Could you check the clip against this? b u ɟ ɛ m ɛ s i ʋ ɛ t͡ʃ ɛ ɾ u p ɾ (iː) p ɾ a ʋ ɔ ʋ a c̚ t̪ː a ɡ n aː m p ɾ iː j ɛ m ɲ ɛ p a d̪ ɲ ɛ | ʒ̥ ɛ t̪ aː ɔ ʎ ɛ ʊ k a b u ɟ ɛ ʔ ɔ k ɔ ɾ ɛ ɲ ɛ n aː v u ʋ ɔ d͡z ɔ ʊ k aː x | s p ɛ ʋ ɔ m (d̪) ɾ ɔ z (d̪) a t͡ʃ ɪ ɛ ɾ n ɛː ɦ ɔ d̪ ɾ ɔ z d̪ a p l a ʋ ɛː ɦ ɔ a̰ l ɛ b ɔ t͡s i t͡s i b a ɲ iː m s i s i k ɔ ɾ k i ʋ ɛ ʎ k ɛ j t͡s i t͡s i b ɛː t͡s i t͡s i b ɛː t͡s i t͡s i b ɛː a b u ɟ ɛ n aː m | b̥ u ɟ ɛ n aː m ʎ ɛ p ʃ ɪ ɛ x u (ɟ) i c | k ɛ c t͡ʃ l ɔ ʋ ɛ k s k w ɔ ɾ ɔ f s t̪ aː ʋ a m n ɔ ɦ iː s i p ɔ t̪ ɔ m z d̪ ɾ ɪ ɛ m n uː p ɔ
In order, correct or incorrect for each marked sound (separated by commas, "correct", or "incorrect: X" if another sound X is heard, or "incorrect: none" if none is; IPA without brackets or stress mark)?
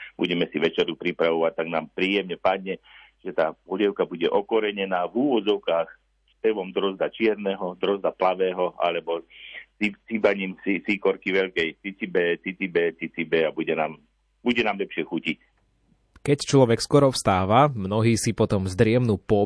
incorrect: i, correct, correct, incorrect: c